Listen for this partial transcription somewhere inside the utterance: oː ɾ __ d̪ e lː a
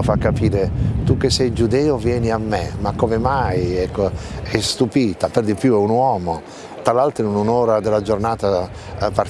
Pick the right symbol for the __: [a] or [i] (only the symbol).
a